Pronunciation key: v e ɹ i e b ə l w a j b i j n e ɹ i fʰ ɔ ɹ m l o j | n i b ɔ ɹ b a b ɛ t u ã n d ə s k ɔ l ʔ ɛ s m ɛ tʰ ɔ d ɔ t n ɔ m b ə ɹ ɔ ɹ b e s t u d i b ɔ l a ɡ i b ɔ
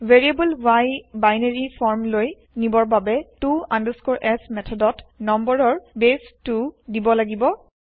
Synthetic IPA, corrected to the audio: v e ɹ i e b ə l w a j b a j n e ɹ i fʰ ɔ ɹ m l o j | n i b ɔ ɹ b a b ɛ t u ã n d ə s k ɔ ɹ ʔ ɛ s m ɛ tʰ ɔ d ɔ t n ɔ m b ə ɹ ɔ ɹ b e s t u d i b ɔ l a ɡ i b ɔ